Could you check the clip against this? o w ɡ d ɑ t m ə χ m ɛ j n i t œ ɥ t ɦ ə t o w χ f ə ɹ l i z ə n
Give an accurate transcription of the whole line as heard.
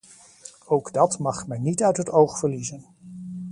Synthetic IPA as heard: o w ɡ d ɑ t m ɑ χ m ɛ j n i t œ ɥ t ɦ ə t o w χ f ə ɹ l i z ə n